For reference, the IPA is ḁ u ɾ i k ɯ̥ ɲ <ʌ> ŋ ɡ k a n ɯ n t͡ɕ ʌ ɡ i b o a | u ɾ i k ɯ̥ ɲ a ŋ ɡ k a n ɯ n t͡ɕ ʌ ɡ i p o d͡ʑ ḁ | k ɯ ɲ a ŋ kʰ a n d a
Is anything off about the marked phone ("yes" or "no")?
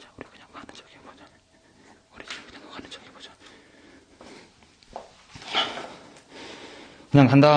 yes